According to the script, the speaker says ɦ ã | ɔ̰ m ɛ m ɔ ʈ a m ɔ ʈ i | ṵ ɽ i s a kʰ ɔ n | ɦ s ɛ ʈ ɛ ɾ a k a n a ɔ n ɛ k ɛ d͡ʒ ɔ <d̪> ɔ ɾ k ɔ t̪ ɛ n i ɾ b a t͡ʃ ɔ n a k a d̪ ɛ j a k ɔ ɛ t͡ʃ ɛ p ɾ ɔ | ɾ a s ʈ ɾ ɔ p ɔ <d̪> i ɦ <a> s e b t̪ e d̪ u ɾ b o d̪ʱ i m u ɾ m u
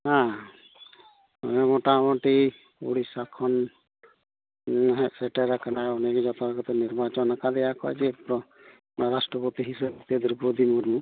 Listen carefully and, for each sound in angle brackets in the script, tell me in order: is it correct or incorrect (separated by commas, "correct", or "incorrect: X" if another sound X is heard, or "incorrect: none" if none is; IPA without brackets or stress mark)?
incorrect: t̪, incorrect: t̪, incorrect: i